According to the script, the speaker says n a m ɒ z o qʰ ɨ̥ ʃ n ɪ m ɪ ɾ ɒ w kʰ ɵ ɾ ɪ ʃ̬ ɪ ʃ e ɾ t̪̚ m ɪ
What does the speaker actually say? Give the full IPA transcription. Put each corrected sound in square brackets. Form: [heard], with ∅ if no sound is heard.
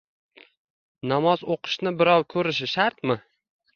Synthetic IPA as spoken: n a m ɒ z o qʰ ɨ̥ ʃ n ɪ [b] ɪ ɾ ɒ w kʰ ɵ ɾ ɪ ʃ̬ ɪ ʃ [a] ɾ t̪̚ m ɪ